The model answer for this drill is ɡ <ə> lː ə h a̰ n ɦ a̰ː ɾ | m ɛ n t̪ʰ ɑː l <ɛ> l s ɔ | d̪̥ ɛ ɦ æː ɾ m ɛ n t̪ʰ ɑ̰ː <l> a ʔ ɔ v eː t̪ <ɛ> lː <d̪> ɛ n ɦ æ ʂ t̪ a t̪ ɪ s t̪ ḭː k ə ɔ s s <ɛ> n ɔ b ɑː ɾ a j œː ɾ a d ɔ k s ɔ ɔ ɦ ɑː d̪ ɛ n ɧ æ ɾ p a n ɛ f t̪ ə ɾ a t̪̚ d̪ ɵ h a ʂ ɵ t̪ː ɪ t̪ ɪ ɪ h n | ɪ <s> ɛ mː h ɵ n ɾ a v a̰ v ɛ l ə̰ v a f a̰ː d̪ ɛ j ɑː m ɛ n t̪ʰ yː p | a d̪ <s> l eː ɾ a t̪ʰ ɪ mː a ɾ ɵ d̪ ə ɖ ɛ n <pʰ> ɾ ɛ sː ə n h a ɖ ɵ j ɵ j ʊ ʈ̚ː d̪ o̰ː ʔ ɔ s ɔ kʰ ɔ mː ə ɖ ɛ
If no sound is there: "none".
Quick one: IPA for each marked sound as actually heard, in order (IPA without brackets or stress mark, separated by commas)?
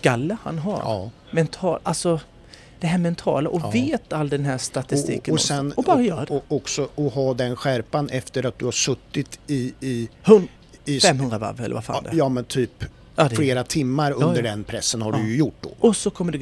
a, a, l, a, d̪, ɛ, f, f, pʰ